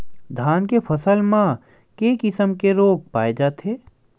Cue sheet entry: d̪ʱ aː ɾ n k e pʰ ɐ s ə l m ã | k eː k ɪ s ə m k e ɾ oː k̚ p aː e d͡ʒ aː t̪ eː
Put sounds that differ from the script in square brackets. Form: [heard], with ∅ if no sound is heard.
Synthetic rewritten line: d̪ʱ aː [∅] n k e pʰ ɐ s ə l m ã | k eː k ɪ s ə m k e ɾ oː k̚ p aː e d͡ʒ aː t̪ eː